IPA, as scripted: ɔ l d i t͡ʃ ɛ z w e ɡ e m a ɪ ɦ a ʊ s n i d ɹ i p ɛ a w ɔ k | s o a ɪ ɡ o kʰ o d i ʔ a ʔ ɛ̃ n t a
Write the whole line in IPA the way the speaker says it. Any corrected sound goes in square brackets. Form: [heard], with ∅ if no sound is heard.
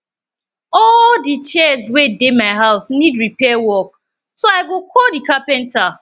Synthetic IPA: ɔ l d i t͡ʃ ɛ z w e [d] e m a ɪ ɦ a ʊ s n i d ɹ i p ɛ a w ɔ k | s o a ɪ ɡ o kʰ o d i [k] a [p] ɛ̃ n t a